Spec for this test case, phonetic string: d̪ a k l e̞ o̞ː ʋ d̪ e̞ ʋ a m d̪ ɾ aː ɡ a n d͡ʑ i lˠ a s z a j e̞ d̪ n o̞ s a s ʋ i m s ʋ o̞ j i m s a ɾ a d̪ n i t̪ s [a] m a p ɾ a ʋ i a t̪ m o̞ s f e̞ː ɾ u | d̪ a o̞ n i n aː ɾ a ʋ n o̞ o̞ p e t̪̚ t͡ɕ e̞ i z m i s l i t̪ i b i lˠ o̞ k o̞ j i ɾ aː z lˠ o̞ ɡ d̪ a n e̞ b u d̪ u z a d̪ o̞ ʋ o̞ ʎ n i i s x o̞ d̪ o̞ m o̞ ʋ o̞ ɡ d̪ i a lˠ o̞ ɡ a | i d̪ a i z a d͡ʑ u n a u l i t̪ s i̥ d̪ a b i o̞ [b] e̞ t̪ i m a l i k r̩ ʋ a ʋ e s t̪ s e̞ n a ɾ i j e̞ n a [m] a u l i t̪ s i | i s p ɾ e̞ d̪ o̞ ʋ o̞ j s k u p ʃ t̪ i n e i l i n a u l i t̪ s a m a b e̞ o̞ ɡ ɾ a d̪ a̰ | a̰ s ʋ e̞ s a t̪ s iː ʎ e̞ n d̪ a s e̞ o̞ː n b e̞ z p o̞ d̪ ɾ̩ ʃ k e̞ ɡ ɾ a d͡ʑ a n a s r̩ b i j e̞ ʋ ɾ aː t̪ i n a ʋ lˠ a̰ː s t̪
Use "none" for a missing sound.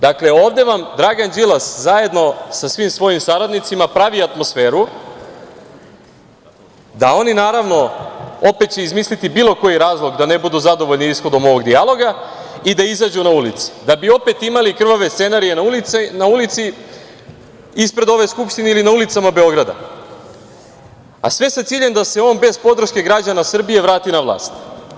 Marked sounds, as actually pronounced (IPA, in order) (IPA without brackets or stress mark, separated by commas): i, p, n